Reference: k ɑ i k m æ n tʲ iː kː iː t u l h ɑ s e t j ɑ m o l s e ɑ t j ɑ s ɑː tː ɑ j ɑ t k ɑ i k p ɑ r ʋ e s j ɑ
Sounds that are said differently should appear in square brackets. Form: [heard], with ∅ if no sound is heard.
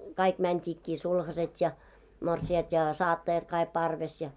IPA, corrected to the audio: k ɑ i k m æ n tʲ iː kː iː [s] u l h ɑ s e t j ɑ m o [r] s [i] ɑ t j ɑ s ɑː tː ɑ j ɑ t k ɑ i k p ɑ r ʋ e s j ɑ